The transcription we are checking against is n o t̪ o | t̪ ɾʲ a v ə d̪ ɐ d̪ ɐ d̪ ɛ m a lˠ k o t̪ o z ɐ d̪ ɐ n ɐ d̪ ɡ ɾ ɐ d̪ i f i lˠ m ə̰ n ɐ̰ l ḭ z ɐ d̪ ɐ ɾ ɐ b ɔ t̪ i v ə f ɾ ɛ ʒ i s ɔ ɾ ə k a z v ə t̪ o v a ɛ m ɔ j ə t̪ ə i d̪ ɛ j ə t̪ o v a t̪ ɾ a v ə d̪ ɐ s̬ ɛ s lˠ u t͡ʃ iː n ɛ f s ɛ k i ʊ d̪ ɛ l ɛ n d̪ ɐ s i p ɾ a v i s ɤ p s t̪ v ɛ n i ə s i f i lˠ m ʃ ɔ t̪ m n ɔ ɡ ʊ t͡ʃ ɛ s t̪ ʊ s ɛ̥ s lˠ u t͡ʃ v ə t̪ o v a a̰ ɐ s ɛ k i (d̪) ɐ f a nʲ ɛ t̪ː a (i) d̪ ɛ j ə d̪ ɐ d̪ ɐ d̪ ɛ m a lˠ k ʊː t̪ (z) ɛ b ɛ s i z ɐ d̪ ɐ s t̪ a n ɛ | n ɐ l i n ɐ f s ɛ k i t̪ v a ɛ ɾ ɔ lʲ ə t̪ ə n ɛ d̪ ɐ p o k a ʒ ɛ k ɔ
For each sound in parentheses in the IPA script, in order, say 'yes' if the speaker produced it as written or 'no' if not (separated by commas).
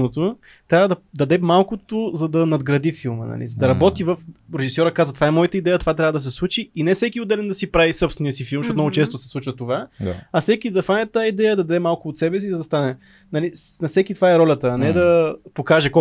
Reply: yes, yes, no